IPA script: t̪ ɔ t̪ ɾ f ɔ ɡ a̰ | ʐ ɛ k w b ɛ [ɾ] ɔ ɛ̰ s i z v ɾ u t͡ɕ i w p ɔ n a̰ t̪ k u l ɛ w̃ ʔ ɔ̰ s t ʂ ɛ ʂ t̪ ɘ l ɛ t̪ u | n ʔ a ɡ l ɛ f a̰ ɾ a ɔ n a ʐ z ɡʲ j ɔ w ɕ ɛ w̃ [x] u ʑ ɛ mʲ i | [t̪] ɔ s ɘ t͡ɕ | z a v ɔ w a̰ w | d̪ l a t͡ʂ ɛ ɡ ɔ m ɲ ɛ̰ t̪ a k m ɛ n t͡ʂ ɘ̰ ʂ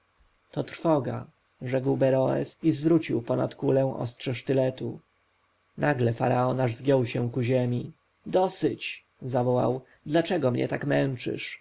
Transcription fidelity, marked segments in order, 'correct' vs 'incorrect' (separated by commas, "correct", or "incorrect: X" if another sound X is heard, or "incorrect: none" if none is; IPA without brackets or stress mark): correct, incorrect: k, incorrect: d̪